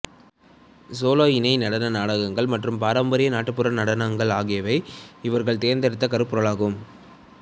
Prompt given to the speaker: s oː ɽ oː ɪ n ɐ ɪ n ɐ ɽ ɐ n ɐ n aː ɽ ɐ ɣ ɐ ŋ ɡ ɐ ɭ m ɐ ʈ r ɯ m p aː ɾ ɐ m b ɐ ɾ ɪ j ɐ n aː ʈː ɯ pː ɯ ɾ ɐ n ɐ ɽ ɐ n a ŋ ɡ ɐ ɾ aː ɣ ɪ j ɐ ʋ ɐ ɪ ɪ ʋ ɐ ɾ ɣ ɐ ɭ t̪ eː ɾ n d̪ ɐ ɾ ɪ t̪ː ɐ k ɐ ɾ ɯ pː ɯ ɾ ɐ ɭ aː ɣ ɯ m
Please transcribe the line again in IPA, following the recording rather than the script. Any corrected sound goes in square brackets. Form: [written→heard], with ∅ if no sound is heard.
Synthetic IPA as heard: s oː [ɽ→l] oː ɪ n ɐ ɪ n ɐ ɽ ɐ n ɐ n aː ɽ ɐ ɣ ɐ ŋ ɡ ɐ ɭ m ɐ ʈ r ɯ m p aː ɾ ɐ m b ɐ ɾ ɪ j ɐ n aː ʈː ɯ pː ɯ ɾ ɐ n ɐ ɽ ɐ n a ŋ ɡ ɐ [ɾ→ɭ] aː ɣ ɪ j ɐ ʋ ɐ ɪ ɪ ʋ ɐ ɾ ɣ ɐ ɭ t̪ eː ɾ n d̪ ɐ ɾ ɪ t̪ː ɐ k ɐ ɾ ɯ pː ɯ ɾ ɐ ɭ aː ɣ ɯ m